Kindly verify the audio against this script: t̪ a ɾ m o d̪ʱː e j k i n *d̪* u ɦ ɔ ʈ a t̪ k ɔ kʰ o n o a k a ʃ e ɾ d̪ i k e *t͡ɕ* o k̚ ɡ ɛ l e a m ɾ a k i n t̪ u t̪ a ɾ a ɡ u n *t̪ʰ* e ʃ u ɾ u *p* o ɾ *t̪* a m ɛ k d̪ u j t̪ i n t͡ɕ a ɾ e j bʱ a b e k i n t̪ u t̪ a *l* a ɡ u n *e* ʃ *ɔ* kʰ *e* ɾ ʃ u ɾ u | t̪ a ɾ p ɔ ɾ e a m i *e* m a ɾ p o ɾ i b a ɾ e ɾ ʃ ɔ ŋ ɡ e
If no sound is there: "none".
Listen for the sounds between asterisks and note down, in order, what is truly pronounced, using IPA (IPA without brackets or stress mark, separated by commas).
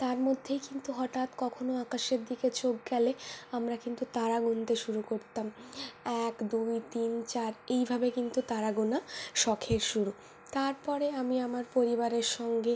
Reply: t̪, t͡ɕ, t̪, k, t̪, ɾ, a, ɔ, e, a